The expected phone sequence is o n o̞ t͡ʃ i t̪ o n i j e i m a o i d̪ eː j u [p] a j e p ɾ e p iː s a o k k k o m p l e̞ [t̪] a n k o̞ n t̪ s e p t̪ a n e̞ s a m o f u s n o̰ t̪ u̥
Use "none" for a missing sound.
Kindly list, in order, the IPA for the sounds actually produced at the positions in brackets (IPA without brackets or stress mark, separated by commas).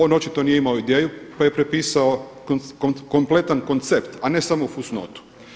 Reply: p, t̪